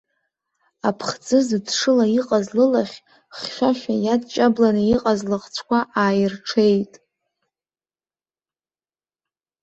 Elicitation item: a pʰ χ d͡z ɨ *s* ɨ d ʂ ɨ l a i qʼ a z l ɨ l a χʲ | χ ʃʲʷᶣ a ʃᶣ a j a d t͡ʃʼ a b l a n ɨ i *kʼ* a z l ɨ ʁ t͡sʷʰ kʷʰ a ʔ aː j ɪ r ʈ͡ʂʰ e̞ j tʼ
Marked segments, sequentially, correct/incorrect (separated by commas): incorrect, incorrect